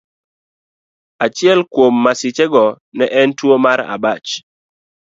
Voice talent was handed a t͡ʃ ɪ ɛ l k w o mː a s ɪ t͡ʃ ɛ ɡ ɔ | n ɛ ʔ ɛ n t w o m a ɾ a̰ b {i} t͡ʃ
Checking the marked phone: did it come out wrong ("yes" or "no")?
yes